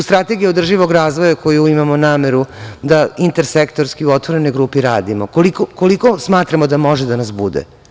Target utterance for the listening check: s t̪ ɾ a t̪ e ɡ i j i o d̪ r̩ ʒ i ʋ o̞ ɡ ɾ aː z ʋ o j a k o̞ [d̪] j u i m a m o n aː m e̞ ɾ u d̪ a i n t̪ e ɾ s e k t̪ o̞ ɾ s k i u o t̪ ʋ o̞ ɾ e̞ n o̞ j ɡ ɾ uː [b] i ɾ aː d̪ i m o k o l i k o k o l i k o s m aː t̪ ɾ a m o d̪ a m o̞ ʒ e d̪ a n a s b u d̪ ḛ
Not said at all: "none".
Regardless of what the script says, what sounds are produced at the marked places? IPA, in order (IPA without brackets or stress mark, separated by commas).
none, p